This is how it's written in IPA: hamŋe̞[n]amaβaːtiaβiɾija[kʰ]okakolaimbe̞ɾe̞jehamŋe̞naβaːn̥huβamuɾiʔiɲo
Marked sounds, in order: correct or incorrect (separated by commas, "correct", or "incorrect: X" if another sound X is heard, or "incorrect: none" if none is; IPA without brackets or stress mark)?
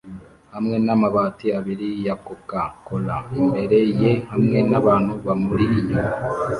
correct, incorrect: k